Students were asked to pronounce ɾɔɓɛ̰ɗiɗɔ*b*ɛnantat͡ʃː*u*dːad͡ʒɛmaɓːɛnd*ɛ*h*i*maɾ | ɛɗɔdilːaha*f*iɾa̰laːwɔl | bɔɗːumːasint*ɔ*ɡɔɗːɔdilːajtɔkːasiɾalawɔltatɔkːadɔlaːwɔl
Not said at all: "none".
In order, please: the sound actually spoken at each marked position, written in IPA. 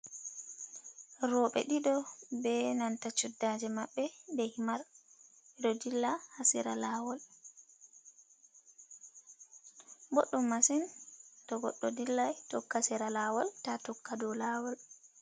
b, u, ɛ, i, s, ɔ

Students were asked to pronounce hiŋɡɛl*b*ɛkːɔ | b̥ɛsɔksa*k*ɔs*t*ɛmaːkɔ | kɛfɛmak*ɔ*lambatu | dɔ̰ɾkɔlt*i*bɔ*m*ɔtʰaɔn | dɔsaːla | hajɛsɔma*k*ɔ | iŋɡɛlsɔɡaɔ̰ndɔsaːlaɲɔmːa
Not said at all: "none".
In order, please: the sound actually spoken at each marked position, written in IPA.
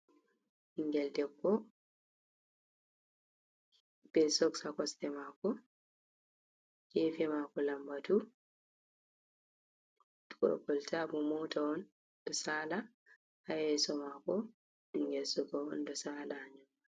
d, k, t, ɔ, a, m, k

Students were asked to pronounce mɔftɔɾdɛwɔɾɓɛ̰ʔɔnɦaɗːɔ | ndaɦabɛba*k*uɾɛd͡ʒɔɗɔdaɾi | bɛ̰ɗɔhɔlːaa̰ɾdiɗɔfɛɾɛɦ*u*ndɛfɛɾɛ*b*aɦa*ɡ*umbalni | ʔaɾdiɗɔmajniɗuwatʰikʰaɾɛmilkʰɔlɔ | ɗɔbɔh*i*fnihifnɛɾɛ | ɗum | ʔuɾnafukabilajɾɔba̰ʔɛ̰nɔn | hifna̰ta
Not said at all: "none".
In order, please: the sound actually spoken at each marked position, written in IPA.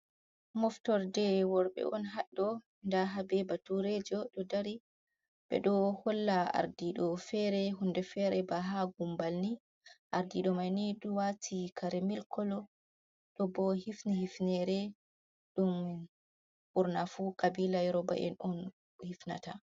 t, u, b, ɡ, i

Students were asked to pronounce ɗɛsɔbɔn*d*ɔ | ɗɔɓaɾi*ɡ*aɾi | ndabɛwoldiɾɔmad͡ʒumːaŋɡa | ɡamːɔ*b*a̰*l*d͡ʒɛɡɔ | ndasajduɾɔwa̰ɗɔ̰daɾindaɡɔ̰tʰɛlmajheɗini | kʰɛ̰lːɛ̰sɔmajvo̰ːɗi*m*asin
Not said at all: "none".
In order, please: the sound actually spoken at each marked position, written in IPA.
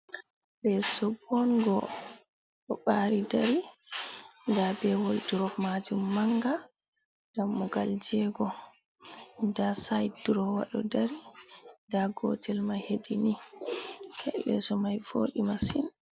ɡ, d, ɡ, l, m

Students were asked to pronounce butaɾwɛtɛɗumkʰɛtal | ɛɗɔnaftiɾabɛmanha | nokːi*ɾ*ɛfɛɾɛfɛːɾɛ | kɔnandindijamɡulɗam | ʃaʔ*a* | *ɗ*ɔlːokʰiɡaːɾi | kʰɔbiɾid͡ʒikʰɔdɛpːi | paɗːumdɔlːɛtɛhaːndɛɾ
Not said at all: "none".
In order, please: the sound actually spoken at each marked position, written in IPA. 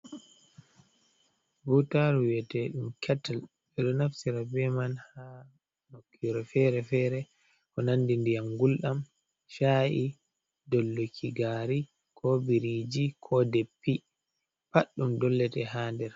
ɾ, i, d

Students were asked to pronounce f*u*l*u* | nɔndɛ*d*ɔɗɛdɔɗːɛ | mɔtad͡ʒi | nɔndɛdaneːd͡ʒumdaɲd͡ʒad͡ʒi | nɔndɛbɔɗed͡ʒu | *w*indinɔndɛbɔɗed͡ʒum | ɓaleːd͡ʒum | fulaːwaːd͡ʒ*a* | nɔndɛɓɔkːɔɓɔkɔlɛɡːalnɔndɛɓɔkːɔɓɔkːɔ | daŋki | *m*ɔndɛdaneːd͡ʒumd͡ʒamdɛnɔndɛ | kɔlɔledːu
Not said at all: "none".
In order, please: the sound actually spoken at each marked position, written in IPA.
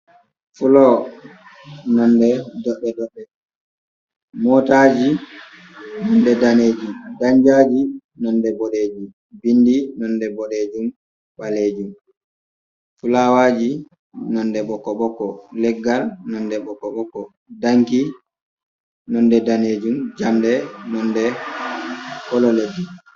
u, ɔ, d, b, i, n

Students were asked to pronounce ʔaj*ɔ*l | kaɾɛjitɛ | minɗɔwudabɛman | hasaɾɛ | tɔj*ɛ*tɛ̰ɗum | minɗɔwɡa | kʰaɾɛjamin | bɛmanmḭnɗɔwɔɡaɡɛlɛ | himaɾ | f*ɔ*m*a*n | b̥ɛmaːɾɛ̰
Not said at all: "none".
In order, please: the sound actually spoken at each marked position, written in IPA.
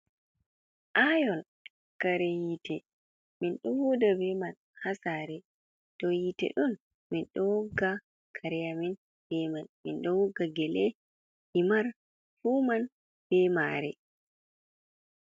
ɔ, i, u, a

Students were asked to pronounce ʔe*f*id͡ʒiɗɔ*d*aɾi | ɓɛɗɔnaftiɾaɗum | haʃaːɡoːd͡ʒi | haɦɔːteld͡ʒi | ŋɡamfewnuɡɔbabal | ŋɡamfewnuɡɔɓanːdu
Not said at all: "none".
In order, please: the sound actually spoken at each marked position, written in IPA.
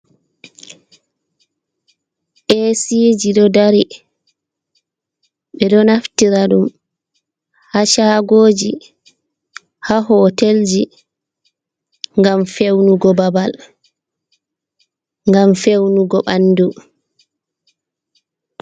s, d

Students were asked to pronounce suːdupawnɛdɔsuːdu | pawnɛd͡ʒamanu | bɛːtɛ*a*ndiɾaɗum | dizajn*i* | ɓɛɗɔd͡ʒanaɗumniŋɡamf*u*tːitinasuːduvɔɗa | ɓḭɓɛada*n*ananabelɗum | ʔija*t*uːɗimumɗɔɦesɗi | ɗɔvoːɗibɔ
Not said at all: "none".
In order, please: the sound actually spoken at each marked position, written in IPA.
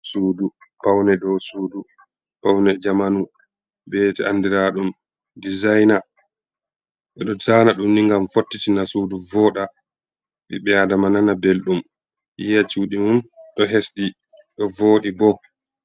a, a, o, m, t͡ʃ

